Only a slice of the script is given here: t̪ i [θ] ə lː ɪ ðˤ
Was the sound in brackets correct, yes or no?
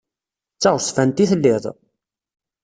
yes